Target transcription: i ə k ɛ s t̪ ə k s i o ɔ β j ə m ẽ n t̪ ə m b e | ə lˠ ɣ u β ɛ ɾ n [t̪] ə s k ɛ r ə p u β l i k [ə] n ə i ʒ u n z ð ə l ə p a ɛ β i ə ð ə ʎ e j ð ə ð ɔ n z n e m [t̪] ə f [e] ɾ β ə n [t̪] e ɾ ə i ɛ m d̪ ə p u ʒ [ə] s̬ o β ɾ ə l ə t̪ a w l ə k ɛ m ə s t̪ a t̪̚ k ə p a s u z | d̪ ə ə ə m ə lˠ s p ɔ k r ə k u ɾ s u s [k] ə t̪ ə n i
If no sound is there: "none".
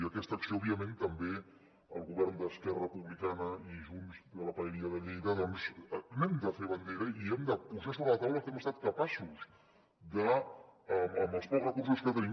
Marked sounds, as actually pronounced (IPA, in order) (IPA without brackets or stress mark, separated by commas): d̪, a, d̪, e, d̪, a, k